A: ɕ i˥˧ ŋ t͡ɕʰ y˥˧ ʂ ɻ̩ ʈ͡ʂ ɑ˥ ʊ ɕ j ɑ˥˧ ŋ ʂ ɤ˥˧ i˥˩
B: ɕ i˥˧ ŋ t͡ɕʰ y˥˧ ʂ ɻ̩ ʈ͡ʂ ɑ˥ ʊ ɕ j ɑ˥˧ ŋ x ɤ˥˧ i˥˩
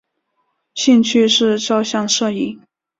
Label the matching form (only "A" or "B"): A